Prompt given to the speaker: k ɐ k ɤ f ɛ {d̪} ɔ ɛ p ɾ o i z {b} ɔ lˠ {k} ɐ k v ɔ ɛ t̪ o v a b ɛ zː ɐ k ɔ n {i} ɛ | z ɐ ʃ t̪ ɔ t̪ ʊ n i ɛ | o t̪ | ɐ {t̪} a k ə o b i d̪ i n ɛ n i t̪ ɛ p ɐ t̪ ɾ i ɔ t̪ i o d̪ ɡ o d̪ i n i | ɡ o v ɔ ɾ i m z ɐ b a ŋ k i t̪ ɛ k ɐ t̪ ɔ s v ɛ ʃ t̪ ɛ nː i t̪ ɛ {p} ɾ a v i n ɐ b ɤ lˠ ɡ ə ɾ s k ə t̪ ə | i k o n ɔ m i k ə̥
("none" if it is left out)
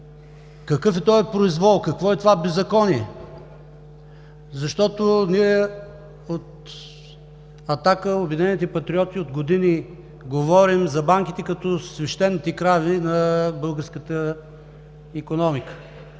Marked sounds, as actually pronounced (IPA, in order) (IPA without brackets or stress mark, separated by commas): t̪, v, k, i, t̪, k